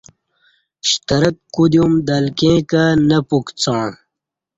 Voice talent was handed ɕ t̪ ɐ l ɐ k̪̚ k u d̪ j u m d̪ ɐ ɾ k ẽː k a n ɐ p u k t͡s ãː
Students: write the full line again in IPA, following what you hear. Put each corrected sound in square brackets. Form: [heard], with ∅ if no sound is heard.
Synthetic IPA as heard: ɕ t̪ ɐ [ɾ] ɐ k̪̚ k u d̪ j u m d̪ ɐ [l] k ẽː k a n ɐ p u k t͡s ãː